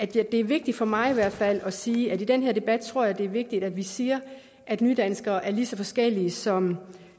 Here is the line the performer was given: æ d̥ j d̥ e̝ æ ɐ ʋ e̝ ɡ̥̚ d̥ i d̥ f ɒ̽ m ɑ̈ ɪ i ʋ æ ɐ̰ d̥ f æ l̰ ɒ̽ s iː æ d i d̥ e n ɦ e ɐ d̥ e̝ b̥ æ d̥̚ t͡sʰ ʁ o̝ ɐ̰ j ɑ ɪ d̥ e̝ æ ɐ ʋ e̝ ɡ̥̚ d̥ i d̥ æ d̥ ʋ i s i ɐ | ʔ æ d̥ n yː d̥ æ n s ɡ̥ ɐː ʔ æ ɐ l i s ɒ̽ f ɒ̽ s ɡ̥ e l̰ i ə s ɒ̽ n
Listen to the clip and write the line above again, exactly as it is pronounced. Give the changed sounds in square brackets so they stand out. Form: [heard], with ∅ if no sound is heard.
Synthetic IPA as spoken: æ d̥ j d̥ e̝ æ ɐ ʋ e̝ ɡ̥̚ d̥ i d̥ f ɒ̽ m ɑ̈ ɪ i ʋ æ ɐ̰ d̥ f æ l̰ ɒ̽ s iː æ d i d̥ e n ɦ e ɐ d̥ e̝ b̥ æ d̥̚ t͡sʰ ʁ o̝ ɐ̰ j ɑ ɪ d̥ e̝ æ ɐ ʋ e̝ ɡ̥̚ d̥ i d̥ æ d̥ ʋ i s [iː] ɐ | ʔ æ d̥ n yː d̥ æ n s ɡ̥ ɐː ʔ æ ɐ l i s ɒ̽ f ɒ̽ s ɡ̥ e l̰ i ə s ɒ̽ [m]